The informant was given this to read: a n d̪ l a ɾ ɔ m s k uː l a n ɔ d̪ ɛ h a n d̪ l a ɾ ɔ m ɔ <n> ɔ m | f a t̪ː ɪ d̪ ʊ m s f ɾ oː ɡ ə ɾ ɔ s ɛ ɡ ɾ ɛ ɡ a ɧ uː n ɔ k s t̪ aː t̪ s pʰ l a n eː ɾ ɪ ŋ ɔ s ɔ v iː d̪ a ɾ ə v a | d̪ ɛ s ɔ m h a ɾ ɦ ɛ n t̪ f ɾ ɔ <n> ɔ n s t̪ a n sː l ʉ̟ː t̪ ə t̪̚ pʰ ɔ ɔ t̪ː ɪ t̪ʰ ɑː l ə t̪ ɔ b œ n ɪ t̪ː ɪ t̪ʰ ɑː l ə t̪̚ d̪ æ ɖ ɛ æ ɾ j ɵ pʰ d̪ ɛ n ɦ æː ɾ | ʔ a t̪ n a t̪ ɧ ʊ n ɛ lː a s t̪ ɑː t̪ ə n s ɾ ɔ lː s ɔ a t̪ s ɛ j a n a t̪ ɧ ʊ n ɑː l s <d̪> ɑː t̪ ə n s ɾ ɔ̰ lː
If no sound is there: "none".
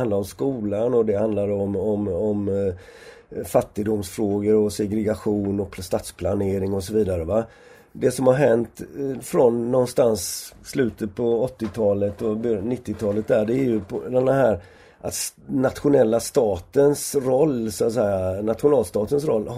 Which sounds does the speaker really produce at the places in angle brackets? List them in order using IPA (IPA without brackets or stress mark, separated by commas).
m, nː, t̪